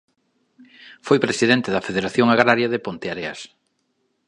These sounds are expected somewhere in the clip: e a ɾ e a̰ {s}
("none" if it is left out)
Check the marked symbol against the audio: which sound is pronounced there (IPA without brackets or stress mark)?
s